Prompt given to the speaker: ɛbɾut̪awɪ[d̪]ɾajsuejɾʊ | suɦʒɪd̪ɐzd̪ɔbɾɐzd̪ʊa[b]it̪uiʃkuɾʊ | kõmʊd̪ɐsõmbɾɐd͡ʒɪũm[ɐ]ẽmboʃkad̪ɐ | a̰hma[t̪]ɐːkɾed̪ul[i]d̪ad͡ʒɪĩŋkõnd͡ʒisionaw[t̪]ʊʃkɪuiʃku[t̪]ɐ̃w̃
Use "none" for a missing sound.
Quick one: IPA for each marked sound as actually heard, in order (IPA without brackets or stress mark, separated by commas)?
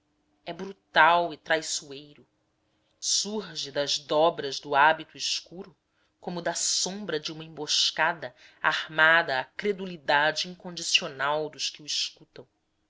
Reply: t̪, b, ɐ, d̪, i, d̪, t̪